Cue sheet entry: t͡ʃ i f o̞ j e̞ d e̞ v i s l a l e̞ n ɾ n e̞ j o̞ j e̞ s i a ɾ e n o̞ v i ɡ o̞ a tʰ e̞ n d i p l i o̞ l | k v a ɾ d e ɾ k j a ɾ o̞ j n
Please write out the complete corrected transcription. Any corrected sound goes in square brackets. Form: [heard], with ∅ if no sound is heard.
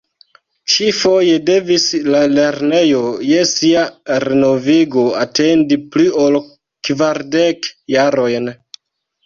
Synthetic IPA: t͡ʃ i f o̞ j e̞ d e̞ v i s l a l e̞ [∅] ɾ n e̞ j o̞ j e̞ s i a ɾ e n o̞ v i ɡ o̞ a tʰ e̞ n d i p l i o̞ l | k v a ɾ d e [∅] k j a ɾ o̞ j n